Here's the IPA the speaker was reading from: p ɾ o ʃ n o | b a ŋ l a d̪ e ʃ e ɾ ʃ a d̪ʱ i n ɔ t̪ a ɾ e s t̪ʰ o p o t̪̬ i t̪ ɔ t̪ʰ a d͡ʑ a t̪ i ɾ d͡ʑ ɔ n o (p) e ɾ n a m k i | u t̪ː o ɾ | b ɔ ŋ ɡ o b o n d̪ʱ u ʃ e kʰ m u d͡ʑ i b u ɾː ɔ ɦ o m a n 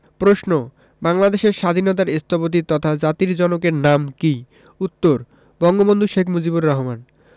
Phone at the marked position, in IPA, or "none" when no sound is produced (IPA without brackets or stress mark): k